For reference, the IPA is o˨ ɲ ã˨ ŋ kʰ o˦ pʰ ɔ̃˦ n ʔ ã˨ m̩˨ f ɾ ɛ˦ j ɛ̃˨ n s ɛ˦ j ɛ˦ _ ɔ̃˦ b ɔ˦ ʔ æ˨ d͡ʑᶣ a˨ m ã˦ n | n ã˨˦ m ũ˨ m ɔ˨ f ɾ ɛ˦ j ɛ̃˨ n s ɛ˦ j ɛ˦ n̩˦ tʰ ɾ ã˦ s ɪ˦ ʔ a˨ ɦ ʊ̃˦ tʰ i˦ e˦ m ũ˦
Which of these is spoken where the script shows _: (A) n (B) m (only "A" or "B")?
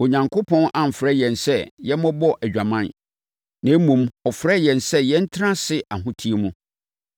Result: B